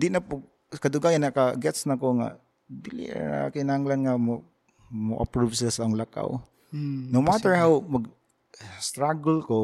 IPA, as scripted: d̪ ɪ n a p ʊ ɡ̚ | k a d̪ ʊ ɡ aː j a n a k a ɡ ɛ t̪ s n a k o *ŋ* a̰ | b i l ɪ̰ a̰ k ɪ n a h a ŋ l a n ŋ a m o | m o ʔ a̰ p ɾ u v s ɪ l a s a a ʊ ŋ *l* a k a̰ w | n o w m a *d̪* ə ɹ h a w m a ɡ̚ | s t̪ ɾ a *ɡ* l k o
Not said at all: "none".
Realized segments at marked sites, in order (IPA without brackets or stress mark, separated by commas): ŋ, l, t̪, ɡ